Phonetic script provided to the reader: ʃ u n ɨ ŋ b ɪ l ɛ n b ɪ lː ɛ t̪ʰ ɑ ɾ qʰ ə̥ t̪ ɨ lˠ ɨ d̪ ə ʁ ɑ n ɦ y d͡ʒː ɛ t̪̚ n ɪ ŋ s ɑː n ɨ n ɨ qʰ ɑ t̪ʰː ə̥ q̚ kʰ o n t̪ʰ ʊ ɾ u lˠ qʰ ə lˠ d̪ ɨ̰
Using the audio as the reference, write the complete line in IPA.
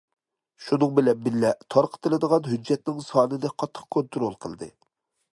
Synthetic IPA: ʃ u n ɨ ŋ b ɪ l ɛ n b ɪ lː ɛ t̪ʰ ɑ ɾ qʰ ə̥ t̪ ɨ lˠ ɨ d̪ ə ʁ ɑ n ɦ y d͡ʒː ɛ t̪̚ n ɪ ŋ s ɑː n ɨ n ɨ qʰ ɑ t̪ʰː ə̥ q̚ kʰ o n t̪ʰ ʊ ɾ o lˠ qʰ ə lˠ d̪ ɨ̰